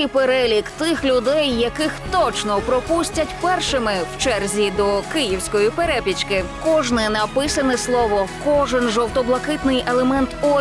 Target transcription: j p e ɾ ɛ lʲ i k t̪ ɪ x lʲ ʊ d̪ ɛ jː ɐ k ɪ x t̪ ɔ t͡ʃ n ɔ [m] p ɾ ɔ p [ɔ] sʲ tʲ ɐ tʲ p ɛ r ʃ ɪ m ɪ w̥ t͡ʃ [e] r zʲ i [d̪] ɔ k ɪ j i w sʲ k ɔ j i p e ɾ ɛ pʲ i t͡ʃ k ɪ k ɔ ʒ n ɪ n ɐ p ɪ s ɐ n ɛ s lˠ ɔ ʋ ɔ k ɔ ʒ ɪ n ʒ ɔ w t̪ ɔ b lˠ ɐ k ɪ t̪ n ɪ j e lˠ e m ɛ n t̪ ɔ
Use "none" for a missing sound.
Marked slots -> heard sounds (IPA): none, u, ɛ, d̪

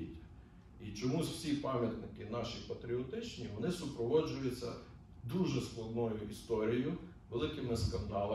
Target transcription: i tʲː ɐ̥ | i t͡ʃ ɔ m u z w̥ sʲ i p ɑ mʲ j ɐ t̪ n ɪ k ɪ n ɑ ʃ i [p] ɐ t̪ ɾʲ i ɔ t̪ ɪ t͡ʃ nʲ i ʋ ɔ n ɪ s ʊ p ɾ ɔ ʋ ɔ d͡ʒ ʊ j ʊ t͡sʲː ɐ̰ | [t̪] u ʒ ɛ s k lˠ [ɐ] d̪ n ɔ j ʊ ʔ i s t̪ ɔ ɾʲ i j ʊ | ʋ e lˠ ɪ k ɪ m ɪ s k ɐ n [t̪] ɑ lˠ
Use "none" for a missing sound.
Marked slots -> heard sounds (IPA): p, d̪, ɐ, d̪

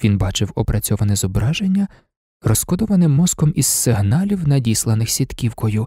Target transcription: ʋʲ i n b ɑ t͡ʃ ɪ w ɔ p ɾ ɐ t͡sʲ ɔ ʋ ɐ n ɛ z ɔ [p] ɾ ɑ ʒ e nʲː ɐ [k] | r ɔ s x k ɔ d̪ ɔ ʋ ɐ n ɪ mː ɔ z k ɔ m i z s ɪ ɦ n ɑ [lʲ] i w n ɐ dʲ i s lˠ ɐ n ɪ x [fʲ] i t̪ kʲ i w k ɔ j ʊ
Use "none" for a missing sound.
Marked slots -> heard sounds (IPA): b, none, lʲ, sʲ

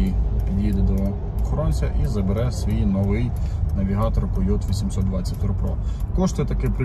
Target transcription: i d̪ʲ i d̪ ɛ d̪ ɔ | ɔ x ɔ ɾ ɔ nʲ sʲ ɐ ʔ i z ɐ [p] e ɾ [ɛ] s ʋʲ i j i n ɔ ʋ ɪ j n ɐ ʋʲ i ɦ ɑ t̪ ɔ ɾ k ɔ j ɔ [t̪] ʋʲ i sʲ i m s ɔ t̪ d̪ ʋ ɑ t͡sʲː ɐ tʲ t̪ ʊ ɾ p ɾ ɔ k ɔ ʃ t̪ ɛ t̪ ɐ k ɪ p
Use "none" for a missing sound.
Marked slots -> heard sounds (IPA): b, ɛ, t̪

